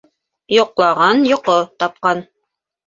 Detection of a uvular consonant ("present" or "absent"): present